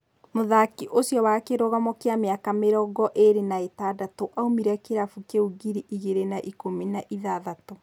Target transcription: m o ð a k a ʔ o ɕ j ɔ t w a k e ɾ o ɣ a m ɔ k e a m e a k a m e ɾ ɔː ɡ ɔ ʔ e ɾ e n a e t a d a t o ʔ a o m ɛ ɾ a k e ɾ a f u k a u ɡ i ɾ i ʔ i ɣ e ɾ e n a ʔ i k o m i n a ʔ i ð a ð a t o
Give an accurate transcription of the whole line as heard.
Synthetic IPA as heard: m o ð a k i ʔ o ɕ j ɔ w a k e ɾ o ɣ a m ɔ k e a m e a k a m e ɾ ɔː ɡ ɔ ʔ e ɾ e n a e t a d a t o ʔ a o m i ɾ a k e ɾ a f u k e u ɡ i ɾ i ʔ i ɣ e ɾ e n a ʔ i k o m i n a ʔ i ð a ð a t o